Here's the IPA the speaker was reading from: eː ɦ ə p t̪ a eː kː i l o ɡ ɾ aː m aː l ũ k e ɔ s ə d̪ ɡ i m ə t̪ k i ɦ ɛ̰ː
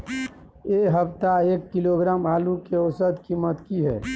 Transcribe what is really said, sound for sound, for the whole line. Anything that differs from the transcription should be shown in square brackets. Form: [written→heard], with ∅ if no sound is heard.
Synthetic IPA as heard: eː ɦ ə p t̪ a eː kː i l o ɡ ɾ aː m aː l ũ k e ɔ s ə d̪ [ɡ→k] i m ə t̪ k i ɦ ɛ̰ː